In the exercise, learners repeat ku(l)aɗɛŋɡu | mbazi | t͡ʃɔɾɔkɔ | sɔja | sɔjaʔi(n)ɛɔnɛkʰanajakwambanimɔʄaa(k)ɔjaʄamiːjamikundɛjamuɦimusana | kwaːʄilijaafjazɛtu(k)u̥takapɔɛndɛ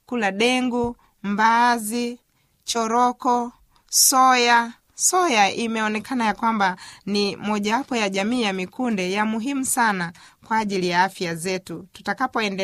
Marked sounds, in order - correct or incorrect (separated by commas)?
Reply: correct, incorrect, incorrect, incorrect